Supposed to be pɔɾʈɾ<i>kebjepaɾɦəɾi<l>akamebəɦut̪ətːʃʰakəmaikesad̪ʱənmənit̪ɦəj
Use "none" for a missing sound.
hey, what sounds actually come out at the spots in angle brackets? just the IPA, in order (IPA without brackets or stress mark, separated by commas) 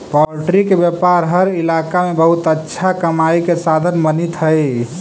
i, l